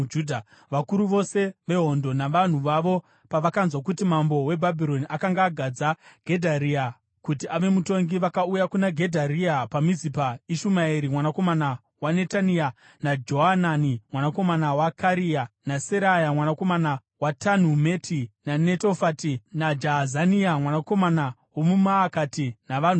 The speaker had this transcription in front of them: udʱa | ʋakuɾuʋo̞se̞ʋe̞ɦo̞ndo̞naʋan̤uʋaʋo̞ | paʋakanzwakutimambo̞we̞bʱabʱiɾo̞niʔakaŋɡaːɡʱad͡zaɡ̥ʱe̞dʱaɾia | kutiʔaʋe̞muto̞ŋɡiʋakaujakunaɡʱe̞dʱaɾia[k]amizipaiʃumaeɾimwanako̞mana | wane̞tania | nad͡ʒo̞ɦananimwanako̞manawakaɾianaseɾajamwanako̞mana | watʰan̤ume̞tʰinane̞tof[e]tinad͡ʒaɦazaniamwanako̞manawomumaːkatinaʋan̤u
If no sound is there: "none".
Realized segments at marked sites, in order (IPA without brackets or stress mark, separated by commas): p, a